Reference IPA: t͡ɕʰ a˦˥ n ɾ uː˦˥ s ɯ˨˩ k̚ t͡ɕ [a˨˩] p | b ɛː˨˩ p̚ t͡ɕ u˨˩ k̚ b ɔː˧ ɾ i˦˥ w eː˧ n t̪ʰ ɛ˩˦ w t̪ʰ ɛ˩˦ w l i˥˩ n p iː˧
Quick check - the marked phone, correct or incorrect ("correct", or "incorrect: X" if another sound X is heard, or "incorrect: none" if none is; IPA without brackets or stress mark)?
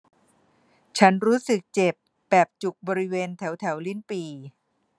incorrect: e˨˩